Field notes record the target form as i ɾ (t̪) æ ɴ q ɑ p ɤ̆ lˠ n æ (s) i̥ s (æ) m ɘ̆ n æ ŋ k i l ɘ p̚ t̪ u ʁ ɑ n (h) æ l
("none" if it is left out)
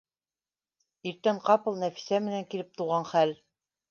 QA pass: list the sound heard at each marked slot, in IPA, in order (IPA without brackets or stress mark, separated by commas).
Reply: t̪, f, æ, χ